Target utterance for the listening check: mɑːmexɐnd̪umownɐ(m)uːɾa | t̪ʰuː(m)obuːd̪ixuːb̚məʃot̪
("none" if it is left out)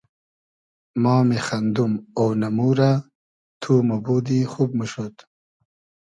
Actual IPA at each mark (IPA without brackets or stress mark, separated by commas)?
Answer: m, m